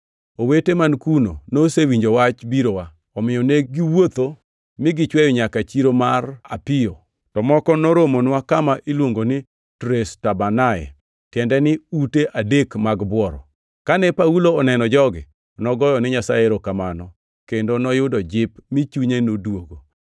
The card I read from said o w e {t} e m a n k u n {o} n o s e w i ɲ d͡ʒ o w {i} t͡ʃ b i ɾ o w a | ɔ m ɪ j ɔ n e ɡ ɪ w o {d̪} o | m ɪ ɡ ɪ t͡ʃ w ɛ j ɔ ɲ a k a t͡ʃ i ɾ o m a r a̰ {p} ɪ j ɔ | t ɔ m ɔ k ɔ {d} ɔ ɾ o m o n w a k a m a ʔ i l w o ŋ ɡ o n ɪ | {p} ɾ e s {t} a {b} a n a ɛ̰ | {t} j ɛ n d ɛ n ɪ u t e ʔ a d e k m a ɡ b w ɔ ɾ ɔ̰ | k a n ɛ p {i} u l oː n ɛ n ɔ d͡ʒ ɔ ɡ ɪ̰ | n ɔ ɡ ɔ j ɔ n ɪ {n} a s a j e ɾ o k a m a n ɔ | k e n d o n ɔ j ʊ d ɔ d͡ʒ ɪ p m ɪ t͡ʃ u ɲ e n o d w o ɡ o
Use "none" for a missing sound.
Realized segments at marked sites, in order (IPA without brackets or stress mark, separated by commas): t, o, a, t̪, p, n, t, t, b, t, a, ɲ